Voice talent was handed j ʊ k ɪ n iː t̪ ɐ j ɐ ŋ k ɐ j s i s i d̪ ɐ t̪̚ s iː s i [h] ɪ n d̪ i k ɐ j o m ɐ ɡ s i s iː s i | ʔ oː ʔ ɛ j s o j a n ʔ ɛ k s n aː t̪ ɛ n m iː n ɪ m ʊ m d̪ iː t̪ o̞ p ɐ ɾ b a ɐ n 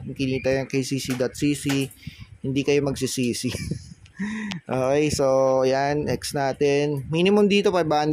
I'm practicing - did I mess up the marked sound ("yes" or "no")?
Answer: no